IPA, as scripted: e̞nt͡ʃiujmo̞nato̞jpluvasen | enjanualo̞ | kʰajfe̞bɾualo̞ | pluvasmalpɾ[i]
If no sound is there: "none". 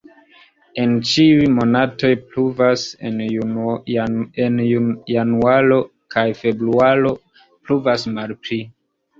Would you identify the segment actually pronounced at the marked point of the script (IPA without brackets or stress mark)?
i